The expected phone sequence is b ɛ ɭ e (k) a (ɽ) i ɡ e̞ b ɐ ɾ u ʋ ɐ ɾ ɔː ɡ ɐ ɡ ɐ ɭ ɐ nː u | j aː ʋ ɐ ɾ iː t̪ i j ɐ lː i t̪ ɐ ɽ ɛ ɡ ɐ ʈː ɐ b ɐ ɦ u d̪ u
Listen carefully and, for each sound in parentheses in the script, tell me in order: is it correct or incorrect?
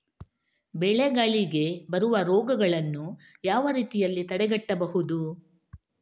incorrect, incorrect

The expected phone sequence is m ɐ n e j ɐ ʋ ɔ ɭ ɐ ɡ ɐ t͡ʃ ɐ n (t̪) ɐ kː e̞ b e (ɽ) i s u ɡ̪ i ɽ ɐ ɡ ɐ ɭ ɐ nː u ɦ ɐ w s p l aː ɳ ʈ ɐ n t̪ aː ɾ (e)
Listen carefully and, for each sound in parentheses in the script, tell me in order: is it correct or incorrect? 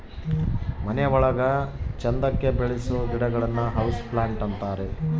incorrect, incorrect, correct

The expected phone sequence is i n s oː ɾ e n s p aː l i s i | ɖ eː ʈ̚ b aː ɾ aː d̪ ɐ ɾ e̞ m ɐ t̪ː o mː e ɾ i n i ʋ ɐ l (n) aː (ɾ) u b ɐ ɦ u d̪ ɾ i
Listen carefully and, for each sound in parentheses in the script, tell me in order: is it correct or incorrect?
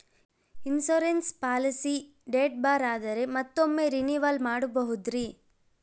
incorrect, incorrect

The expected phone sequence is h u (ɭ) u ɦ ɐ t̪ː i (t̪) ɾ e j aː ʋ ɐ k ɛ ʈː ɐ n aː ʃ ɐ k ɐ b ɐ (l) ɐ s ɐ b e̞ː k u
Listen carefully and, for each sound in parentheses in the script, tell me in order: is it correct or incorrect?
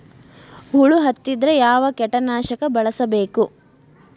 correct, incorrect, incorrect

